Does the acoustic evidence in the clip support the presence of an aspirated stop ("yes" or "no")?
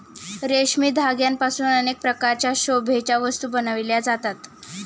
no